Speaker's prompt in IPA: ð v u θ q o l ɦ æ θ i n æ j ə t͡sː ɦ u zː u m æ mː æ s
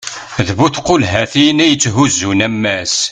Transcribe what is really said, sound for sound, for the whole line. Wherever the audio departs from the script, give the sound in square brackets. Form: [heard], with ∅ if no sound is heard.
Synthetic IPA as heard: ð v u θ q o l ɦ æ θ i n æ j ə t͡sː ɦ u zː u [n] æ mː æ s